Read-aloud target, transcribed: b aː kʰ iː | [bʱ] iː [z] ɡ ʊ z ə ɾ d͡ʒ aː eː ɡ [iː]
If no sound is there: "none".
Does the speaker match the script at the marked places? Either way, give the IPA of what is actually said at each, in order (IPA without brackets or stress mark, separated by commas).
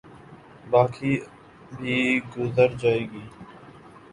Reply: bʱ, none, iː